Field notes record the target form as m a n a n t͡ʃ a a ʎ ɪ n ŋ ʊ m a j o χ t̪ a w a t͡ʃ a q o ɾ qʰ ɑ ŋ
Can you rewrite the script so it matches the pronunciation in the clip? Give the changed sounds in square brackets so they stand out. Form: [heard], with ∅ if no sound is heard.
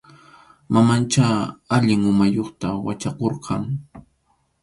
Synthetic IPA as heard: m a [m] a n t͡ʃ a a ʎ ɪ [∅] ŋ ʊ m a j o χ t̪ a w a t͡ʃ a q o ɾ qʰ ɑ ŋ

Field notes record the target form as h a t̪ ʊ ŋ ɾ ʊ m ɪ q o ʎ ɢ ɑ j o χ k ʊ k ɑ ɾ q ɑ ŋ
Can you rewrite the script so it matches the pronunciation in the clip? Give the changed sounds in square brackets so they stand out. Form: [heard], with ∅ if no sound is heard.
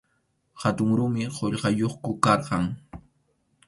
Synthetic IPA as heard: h a t̪ ʊ ŋ ɾ ʊ m ɪ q o ʎ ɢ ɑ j o χ k ʊ k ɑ ɾ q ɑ ŋ

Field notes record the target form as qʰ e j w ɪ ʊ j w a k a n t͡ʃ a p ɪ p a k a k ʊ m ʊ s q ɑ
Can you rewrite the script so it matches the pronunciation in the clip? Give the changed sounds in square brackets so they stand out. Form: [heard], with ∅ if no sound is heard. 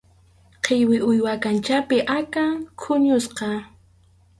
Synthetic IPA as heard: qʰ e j w ɪ ʊ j w a k a n t͡ʃ a p ɪ [ʔ] a k a [kʰ] ʊ [ɲ] ʊ s q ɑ

